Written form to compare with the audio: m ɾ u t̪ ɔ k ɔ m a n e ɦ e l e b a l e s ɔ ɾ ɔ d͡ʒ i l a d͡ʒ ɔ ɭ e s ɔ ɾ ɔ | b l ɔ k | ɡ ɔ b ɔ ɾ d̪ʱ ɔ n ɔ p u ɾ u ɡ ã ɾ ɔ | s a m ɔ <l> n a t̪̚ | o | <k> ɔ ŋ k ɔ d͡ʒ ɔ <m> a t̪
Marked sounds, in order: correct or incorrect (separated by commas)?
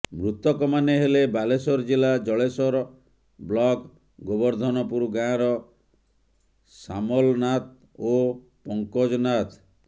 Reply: correct, incorrect, incorrect